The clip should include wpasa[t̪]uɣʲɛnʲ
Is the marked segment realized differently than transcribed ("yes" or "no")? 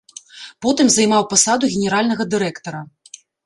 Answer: yes